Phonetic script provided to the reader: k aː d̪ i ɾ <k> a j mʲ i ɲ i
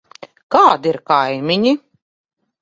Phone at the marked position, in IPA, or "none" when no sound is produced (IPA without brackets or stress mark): k